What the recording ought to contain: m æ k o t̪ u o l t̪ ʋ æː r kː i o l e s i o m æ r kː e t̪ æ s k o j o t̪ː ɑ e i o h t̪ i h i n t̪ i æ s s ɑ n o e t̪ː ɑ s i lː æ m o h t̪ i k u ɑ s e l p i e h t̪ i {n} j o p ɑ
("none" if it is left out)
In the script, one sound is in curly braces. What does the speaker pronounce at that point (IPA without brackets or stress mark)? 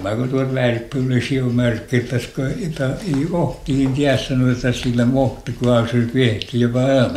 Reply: none